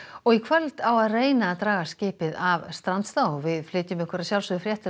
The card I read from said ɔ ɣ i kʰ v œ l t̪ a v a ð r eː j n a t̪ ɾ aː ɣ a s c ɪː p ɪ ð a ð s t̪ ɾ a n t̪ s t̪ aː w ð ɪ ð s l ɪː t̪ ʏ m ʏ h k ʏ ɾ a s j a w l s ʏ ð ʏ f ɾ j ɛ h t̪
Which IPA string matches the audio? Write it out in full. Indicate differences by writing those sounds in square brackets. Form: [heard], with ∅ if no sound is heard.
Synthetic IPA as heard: ɔ ɣ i kʰ v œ l t̪ a [w] a ð r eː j n a t̪ ɾ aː ɣ a s c ɪː p ɪ ð a [v] s t̪ ɾ a n t̪ s t̪ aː w [v] ɪ ð [f] l ɪː t̪ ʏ m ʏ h k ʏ ɾ a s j a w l s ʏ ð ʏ f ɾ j ɛ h t̪